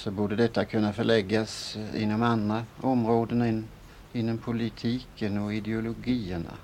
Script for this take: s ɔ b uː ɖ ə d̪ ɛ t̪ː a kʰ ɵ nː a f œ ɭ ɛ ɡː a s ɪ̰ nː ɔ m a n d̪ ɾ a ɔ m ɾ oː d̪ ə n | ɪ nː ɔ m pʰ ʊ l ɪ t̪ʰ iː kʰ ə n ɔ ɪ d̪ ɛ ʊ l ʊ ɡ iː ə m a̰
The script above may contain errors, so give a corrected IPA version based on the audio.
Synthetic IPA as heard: s ɔ b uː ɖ ə d̪ ɛ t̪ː a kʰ ɵ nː a f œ ɭ ɛ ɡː a s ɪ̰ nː ɔ m a n d̪ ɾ a ɔ m ɾ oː d̪ ə n | ɪ nː ɔ m pʰ ʊ l ɪ t̪ʰ iː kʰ ə n ɔ ɪ d̪ ɛ ʊ l ʊ ɡ iː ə ɳ a̰